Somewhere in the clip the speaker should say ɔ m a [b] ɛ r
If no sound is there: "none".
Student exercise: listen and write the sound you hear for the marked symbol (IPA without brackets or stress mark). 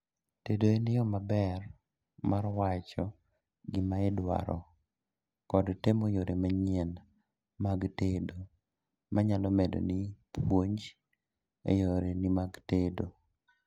b